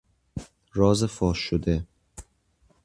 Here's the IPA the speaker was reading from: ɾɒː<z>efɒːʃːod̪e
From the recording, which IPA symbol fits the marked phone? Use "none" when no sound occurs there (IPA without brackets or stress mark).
z